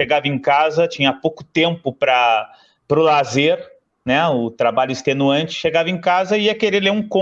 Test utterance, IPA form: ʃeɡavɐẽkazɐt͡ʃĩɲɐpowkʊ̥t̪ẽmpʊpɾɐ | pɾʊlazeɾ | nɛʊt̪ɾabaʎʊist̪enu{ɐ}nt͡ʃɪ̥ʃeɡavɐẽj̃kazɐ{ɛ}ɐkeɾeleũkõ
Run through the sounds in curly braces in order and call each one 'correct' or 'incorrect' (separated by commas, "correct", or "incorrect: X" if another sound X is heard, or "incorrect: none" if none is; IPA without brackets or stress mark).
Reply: incorrect: ɐ̃, incorrect: i